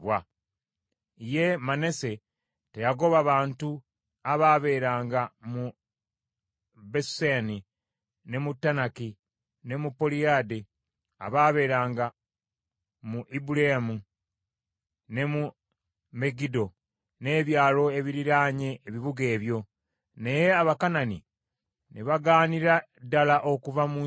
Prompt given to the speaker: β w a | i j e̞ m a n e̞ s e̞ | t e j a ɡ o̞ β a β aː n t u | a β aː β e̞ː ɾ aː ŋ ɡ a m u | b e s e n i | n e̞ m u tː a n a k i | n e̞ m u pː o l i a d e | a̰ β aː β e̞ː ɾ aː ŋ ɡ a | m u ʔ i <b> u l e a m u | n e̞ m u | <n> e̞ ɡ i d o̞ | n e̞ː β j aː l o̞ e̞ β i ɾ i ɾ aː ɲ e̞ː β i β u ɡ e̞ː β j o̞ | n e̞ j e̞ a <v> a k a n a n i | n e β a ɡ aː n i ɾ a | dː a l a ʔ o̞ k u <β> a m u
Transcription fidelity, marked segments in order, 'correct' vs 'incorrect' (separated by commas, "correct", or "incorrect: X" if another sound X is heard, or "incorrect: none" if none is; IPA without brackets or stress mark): correct, incorrect: m, incorrect: β, incorrect: v